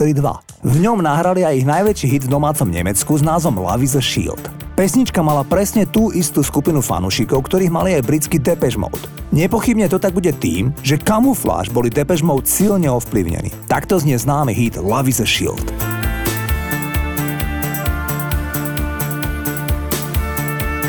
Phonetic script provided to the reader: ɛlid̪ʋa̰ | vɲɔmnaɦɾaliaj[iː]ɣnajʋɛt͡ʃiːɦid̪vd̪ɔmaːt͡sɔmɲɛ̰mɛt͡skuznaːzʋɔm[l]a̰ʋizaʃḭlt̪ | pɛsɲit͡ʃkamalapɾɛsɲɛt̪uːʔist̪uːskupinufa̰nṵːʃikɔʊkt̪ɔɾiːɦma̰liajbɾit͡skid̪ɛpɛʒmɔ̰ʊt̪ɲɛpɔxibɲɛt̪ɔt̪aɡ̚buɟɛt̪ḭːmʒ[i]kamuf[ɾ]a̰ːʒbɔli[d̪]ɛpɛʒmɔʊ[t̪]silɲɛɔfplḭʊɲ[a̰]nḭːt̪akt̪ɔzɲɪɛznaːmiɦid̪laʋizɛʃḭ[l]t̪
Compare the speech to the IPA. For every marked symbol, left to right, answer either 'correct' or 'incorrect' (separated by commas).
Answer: incorrect, correct, incorrect, incorrect, correct, correct, incorrect, correct